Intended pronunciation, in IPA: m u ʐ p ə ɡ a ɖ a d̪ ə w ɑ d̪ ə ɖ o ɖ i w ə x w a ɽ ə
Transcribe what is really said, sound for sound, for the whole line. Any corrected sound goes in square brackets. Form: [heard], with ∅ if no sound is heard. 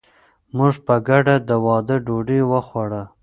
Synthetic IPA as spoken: m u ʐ p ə ɡ a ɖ a d̪ ə w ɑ d̪ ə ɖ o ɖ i w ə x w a ɽ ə